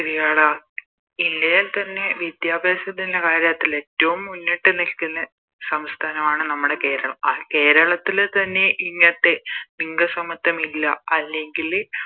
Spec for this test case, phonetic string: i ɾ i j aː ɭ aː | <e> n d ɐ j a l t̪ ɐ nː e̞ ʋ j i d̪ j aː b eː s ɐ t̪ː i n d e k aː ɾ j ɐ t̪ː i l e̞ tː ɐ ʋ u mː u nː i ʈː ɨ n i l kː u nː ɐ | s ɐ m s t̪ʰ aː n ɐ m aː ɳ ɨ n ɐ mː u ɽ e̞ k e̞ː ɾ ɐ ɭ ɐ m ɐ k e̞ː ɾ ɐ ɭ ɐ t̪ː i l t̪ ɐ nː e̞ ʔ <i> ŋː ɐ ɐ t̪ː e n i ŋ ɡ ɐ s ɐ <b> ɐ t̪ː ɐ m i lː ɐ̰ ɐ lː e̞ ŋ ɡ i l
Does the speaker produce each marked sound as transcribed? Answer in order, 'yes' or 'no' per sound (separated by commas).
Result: no, yes, no